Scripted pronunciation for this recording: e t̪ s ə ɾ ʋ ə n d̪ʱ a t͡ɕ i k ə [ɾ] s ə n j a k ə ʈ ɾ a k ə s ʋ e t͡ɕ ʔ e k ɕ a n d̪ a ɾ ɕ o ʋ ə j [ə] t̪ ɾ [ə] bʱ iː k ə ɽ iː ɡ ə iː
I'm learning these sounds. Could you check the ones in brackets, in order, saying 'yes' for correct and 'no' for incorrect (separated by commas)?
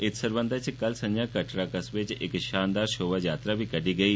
no, no, no